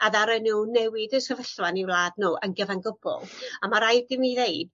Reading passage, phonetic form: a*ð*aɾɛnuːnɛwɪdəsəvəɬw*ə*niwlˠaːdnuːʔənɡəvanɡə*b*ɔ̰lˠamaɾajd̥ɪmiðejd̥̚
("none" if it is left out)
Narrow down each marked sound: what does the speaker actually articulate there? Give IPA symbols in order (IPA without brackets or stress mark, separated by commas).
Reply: ð, a, b